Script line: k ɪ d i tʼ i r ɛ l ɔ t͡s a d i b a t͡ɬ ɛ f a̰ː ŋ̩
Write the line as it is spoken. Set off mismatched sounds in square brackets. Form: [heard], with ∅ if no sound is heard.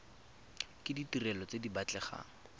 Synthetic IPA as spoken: k ɪ d i [t] i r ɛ l ɔ t͡s [e] d i b a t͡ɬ ɛ [χ] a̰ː ŋ̩